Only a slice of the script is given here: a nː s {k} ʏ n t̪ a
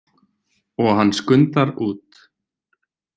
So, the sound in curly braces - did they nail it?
yes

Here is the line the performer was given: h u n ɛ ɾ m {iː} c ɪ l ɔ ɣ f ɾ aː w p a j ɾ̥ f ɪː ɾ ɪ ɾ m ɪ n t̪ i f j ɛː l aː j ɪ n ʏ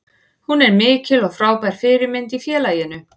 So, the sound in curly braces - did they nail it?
no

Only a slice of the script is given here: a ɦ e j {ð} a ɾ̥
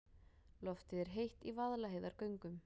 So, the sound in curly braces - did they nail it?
yes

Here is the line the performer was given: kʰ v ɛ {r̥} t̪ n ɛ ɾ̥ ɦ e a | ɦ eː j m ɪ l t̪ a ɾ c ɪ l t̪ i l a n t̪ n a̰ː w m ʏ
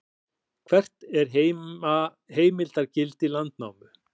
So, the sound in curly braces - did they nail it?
yes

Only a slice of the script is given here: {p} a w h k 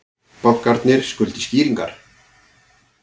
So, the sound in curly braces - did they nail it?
yes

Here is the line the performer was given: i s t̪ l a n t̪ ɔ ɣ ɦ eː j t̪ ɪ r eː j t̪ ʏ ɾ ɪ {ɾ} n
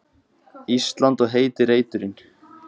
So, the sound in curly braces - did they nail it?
no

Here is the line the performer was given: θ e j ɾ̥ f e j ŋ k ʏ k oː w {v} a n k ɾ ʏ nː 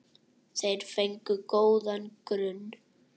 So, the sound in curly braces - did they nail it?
no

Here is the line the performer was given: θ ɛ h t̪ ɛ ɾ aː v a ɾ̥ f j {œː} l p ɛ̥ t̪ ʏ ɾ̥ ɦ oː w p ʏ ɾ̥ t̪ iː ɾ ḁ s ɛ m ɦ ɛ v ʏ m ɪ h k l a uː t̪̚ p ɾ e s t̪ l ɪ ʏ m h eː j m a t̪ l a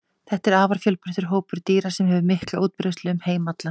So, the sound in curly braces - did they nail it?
no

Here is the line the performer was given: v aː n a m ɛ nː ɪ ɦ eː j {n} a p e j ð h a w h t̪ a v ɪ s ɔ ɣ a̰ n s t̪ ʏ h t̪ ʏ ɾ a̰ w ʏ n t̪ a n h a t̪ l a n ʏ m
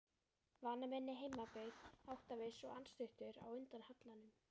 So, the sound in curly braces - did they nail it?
no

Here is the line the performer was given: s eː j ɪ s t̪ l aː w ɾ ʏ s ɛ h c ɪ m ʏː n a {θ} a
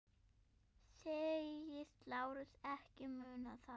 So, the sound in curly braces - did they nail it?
yes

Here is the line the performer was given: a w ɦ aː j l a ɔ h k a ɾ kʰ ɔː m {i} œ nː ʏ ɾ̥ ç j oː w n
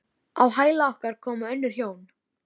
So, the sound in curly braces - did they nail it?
no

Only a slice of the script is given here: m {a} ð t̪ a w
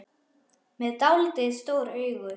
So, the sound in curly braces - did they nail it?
no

